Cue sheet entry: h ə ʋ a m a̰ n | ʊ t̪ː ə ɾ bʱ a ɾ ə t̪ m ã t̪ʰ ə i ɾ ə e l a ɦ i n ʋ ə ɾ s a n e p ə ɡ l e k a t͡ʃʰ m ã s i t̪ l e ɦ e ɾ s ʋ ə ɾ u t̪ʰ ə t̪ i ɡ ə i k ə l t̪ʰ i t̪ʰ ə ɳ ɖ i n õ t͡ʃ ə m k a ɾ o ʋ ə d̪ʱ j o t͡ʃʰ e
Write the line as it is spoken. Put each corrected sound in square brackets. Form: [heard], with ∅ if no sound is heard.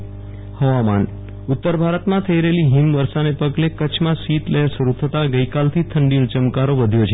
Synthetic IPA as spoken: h ə ʋ a m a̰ n | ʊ t̪ː ə ɾ bʱ a ɾ ə t̪ m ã t̪ʰ ə i ɾ ə e l [i] ɦ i [m] ʋ ə ɾ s a n e p ə ɡ l e k [ə] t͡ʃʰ m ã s i t̪ l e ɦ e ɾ s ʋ ə ɾ u t̪ʰ ə t̪ [a] ɡ ə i k [a] l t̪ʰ i t̪ʰ ə ɳ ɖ i n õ t͡ʃ ə m k a ɾ o ʋ ə d̪ʱ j o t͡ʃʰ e